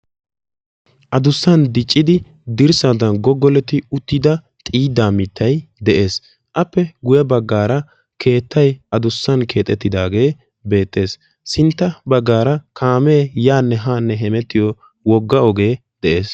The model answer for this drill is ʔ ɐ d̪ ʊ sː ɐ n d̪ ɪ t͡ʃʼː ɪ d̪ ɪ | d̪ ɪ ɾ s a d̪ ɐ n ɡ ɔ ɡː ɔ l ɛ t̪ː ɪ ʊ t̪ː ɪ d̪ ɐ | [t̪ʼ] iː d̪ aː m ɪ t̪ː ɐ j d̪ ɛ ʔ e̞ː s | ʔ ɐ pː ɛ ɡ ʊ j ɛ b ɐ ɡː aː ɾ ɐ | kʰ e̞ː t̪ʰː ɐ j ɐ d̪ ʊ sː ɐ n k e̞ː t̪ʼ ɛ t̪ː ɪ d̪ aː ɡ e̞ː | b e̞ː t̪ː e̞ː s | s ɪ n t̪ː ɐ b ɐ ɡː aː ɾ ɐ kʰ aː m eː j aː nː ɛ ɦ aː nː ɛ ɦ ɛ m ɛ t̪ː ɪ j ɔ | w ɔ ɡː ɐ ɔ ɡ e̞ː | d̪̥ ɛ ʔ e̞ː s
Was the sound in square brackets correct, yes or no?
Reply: yes